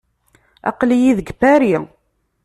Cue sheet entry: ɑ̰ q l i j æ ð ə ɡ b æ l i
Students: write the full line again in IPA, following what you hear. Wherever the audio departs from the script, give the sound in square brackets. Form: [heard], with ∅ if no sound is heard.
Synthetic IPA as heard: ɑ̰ q l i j [i] ð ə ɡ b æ [ɾ] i